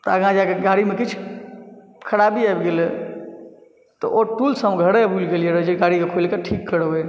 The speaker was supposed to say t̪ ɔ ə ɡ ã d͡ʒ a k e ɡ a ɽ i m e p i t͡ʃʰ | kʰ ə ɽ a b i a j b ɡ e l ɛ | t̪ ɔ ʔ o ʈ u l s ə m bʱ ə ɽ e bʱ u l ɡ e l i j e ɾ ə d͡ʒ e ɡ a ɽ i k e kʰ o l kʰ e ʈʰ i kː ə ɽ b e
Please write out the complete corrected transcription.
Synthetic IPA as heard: t̪ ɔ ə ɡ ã d͡ʒ a k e ɡ a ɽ i m e k i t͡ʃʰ | kʰ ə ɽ a b i a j b ɡ e l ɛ | t̪ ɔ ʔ o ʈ u l s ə m ɡʱ ə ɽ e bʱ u l ɡ e l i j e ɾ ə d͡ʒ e ɡ a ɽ i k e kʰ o l k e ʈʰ i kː ə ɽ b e

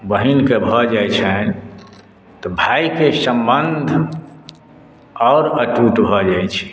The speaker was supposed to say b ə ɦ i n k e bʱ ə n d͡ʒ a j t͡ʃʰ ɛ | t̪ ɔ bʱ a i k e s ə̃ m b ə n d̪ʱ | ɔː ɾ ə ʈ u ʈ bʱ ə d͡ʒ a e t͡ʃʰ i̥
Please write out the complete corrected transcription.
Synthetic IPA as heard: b ə ɦ i n k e bʱ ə d͡ʒ a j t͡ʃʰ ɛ | t̪ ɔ bʱ a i k e s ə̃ m b ə n d̪ʱ | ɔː ɾ ə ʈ u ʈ bʱ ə d͡ʒ a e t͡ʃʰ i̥

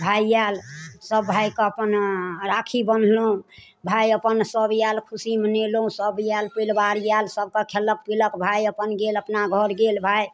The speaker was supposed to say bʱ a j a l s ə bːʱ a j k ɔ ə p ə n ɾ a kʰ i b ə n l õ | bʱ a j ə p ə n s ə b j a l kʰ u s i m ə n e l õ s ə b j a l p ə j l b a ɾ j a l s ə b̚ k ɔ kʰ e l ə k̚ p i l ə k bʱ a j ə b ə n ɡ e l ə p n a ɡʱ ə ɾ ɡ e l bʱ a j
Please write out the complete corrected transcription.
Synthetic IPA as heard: bʱ a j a l s ə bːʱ a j k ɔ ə p ə n ɾ a kʰ i b ə n l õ | bʱ a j ə p ə n s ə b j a l kʰ u s i m ə n e l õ s ə b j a l p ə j l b a ɾ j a l s ə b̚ k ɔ kʰ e l ə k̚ p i l ə k bʱ a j ə p ə n ɡ e l ə p n a ɡʱ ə ɾ ɡ e l bʱ a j

